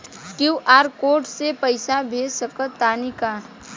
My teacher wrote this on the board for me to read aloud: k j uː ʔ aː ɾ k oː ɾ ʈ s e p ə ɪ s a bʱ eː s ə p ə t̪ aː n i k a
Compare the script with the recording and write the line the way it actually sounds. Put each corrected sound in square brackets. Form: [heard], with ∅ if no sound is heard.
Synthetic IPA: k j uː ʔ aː ɾ k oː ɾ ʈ s e p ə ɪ s a bʱ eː s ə [k] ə t̪ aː n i k a